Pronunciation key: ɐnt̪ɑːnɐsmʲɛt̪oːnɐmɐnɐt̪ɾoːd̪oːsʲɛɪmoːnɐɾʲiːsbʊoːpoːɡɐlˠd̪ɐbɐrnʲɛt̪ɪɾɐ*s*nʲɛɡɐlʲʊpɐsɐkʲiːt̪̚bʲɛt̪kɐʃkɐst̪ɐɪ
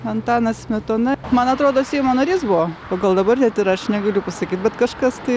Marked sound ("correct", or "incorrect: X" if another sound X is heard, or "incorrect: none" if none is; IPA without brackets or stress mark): incorrect: ʃ